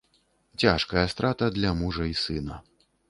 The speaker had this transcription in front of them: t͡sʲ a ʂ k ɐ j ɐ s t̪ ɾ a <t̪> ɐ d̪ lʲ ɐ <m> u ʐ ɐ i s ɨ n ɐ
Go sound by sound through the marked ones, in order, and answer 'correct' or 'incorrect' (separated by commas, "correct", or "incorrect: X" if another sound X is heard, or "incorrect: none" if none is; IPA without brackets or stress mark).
correct, correct